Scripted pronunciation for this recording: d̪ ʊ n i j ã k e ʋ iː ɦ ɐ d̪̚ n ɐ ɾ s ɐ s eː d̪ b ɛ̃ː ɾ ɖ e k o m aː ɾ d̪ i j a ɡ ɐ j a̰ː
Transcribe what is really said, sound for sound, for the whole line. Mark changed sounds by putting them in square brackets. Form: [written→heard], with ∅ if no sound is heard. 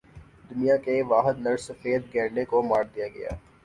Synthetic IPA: d̪ ʊ n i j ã k e ʋ [iː→aː] ɦ [ɐ→ə] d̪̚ n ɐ ɾ s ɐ [s→f] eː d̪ [b→ɡ] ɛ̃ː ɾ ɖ e k o m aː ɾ d̪ i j a ɡ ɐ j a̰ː